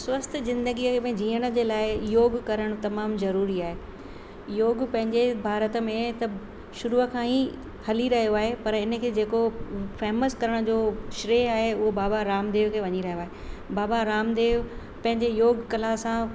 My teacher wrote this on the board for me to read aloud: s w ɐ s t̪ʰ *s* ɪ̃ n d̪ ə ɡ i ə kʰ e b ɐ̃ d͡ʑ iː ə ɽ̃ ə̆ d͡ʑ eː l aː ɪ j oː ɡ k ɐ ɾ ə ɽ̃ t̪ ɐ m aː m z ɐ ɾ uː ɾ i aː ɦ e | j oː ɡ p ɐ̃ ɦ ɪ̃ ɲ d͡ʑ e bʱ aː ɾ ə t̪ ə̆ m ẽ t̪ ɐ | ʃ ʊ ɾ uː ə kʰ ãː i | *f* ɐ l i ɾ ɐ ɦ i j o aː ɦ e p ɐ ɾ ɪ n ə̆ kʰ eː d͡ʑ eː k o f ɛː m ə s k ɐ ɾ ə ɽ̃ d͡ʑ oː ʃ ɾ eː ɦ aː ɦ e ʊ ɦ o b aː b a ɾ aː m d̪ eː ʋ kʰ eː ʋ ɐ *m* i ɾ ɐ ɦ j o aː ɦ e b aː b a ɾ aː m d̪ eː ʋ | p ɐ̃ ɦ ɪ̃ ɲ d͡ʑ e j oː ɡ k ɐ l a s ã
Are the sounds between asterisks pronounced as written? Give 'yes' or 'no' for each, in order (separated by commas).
no, no, no